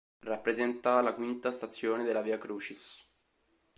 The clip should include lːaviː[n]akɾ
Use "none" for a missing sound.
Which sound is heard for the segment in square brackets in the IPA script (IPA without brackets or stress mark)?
none